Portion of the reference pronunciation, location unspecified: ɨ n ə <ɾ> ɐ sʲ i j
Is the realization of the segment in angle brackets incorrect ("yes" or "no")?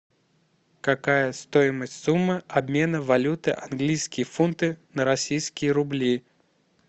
no